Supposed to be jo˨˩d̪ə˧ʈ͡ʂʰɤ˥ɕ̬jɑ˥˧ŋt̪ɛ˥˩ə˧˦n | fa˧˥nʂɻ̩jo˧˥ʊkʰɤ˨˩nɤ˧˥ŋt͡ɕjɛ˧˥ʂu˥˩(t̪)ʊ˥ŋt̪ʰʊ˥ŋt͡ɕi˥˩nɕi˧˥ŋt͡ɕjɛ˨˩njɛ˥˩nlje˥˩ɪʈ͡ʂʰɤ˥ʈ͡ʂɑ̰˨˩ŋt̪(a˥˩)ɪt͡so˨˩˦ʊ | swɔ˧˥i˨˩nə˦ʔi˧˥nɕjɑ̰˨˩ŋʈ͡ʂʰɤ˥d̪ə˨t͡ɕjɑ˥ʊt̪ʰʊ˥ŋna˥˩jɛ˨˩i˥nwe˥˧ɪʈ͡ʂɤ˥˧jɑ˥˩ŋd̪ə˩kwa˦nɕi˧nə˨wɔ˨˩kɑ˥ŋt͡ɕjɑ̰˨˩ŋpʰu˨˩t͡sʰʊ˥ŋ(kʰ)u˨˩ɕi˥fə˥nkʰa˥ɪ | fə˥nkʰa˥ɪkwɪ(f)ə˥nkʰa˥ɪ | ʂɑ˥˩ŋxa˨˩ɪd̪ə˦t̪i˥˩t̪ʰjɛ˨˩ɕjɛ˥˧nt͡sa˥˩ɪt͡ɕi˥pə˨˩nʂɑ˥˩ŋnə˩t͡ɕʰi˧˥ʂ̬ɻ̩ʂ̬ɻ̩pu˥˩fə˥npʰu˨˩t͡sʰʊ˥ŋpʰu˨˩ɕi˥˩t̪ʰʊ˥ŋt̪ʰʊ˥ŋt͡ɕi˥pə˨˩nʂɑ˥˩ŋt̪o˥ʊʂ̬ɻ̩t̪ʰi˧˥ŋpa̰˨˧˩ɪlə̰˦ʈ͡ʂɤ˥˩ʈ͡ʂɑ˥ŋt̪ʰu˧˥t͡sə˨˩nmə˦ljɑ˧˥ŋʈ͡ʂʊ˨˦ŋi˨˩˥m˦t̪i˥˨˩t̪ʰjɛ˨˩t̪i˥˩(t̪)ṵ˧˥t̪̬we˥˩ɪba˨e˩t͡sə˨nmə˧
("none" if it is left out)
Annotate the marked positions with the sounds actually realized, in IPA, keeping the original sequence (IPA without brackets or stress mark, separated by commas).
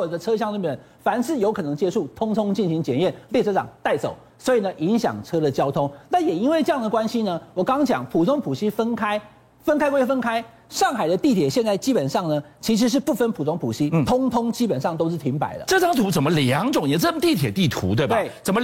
t̪ʰ, a˥˩, pʰ, f, t̪ʰ